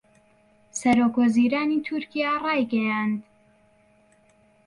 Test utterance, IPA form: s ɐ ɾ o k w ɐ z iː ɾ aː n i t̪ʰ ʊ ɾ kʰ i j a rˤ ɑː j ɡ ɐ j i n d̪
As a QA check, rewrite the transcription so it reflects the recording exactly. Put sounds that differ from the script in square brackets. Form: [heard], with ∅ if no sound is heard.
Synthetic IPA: s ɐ ɾ o k w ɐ z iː ɾ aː n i t̪ʰ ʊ ɾ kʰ i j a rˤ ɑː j ɡ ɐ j [a] n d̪